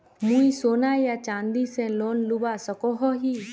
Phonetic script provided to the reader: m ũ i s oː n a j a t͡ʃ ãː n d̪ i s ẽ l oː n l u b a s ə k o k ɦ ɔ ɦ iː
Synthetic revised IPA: m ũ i s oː n a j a t͡ʃ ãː n d̪ i s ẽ l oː n l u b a s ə k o ɦ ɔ ɦ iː